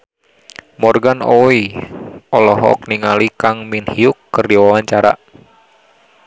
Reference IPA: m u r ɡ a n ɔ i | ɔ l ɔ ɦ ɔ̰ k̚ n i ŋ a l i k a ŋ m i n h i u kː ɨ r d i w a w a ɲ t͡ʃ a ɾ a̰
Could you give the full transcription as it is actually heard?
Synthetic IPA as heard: m ɔ r ɡ a n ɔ i | ɔ l ɔ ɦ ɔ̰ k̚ n i ŋ a l i k a ŋ m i n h i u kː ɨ r d i w a w a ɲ t͡ʃ a ɾ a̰